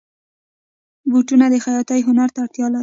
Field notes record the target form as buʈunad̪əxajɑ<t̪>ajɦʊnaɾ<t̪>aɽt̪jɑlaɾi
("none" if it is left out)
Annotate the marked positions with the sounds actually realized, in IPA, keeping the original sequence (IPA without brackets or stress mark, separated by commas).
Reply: t̪, t̪